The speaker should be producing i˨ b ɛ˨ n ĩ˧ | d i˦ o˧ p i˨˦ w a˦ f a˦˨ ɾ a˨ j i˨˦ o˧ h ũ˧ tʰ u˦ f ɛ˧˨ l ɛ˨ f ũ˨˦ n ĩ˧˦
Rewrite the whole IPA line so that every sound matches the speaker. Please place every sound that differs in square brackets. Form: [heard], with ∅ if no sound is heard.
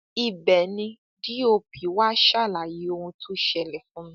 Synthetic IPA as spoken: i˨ b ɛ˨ n ĩ˧ | d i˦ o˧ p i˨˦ w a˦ [ʃ] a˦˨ [l] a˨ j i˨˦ o˧ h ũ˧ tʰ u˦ [ʃ] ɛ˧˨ l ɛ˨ f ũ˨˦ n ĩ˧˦